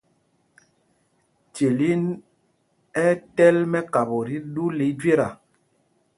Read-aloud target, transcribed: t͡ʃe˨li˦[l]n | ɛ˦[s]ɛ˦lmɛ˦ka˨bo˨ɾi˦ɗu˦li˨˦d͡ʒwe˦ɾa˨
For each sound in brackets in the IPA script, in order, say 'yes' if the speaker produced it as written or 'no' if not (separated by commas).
no, no